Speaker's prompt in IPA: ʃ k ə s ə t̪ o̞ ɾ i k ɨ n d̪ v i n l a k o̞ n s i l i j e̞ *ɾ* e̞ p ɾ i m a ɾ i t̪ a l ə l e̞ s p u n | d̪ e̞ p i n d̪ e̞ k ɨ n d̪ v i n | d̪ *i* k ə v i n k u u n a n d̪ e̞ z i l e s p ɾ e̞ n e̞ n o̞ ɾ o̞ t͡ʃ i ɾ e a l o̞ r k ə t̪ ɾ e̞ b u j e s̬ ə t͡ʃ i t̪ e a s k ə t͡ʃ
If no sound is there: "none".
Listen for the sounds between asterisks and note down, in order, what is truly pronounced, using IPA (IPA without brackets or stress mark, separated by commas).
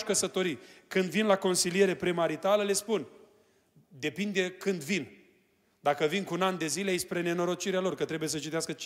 ɾ, a